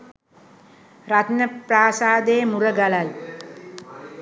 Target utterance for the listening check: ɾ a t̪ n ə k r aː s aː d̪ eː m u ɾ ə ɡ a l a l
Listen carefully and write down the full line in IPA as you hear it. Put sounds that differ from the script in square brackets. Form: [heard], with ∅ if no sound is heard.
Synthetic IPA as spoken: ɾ a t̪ n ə [p] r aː s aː d̪ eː m u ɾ ə ɡ a l a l